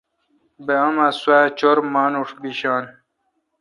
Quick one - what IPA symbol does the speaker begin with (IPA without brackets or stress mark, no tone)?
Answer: b